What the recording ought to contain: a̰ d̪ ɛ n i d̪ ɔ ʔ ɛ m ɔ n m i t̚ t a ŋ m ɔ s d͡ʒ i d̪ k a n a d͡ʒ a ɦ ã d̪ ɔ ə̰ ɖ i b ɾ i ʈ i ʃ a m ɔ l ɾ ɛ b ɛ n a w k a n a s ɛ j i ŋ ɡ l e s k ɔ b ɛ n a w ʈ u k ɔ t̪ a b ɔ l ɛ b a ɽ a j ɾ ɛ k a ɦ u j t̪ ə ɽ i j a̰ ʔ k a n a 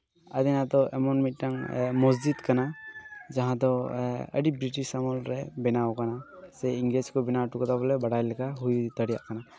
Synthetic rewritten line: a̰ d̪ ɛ n a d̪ ɔ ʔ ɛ m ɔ n m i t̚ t a ŋ m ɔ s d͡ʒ i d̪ k a n a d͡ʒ a ɦ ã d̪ ɔ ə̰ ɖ i b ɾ i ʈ i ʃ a m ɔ l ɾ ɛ b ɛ n a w k a n a s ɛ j i ŋ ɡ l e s k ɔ b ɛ n a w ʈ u k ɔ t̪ a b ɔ l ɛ b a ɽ a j l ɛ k a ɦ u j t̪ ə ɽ i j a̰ ʔ k a n a